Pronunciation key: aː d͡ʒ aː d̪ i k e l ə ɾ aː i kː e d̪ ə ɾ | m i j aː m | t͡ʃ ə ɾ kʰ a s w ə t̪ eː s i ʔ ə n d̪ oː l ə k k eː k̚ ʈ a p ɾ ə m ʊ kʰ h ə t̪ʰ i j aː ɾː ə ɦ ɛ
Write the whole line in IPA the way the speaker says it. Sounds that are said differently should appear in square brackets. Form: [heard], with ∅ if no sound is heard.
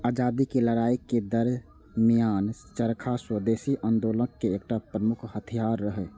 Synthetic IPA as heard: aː d͡ʒ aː d̪ i k e l ə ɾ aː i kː e d̪ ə ɾ | m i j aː [n] | t͡ʃ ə ɾ kʰ a s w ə [d̪] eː s i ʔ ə n d̪ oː l ə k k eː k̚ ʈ a p ɾ ə m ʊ kʰ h ə t̪ʰ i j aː ɾː ə ɦ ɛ